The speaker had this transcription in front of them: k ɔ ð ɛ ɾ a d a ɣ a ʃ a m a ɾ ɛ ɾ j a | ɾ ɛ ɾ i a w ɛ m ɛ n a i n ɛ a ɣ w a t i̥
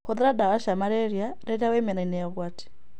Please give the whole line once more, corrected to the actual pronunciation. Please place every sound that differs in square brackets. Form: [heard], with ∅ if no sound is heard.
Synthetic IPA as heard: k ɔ ð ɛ ɾ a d a ɣ a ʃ a m a ɾ ɛ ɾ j a | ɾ ɛ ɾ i a w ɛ m ɛ n a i n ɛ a ɣ w a t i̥